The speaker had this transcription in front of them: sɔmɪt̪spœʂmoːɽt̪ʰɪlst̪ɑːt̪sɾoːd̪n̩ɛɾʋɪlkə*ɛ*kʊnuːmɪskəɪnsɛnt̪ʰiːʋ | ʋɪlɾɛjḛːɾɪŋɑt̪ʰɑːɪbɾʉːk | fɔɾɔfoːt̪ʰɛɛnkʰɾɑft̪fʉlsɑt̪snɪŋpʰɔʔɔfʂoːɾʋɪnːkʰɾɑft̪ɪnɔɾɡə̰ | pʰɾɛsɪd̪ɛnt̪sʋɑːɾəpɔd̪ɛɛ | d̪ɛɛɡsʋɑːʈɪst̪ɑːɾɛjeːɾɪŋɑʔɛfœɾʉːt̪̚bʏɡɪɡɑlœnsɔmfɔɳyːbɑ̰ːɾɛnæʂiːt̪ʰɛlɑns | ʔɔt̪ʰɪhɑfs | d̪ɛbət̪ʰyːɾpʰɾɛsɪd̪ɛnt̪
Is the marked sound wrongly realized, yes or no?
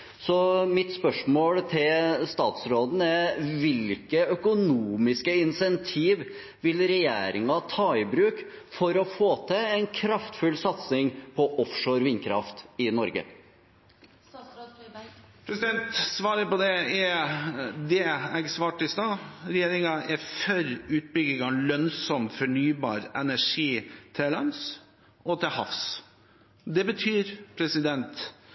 yes